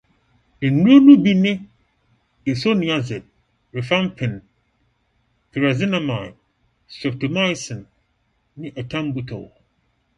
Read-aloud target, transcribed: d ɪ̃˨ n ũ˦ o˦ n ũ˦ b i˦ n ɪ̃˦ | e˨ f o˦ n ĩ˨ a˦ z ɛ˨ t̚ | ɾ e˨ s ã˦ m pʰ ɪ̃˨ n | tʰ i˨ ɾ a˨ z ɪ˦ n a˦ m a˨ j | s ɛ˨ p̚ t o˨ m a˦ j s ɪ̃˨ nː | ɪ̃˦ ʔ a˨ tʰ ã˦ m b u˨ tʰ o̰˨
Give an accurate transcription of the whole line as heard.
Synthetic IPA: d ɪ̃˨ n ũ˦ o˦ n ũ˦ b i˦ n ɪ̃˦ | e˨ s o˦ n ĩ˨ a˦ z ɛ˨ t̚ | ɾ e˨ f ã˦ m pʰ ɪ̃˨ n | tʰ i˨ ɾ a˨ z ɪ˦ n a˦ m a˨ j | s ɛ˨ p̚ t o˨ m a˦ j s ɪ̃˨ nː | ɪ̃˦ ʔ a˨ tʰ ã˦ m b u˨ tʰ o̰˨